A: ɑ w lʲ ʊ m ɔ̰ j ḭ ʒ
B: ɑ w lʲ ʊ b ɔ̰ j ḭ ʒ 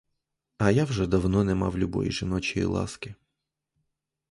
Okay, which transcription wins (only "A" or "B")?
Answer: B